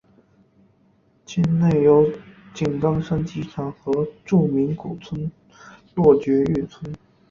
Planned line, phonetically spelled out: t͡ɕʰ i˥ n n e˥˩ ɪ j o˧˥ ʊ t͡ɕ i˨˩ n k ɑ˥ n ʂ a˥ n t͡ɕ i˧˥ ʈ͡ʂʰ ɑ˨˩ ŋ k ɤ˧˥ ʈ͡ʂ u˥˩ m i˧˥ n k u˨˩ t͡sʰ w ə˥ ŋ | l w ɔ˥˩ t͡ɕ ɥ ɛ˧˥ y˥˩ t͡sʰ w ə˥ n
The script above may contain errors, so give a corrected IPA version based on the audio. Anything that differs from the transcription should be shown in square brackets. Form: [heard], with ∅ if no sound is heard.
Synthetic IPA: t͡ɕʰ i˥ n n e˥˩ ɪ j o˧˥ ʊ t͡ɕ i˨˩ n k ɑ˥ [ŋ] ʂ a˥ n t͡ɕ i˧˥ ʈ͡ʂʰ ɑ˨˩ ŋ [x] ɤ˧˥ ʈ͡ʂ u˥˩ m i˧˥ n k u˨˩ t͡sʰ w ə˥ [n] | l w ɔ˥˩ t͡ɕ ɥ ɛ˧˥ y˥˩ t͡sʰ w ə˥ n